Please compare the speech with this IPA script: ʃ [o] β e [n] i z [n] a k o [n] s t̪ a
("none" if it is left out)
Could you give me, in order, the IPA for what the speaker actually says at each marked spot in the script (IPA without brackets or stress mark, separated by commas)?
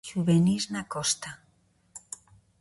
u, n, n, none